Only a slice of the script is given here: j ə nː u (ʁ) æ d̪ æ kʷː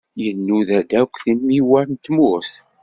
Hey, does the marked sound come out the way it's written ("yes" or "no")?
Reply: no